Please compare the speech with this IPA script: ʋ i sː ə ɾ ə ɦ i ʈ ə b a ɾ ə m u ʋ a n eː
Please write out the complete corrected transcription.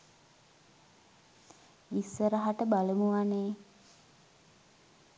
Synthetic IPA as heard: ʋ i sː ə ɾ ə ɦ a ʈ ə b a l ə m u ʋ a n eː